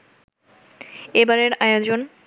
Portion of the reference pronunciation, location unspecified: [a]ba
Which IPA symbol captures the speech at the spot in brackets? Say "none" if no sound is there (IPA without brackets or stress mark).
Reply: e